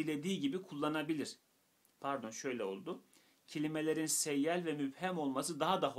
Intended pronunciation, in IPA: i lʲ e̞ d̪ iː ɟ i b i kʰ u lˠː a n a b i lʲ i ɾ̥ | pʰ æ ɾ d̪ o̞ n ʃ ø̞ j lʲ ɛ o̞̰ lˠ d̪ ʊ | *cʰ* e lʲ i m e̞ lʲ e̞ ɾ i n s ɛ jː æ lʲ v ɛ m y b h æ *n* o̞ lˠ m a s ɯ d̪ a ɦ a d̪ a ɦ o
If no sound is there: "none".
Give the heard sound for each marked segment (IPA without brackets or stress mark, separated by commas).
cʰ, m